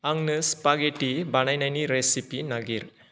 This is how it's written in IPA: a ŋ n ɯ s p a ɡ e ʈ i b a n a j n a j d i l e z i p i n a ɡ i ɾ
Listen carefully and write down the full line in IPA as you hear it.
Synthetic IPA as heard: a ŋ n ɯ s p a ɡ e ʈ i b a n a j n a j n i ɾ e s i p i n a ɡ i ɾ